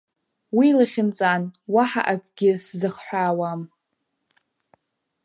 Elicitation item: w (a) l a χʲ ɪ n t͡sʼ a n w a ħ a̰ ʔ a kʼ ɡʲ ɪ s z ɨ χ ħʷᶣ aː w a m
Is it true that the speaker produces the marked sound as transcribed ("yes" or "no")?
no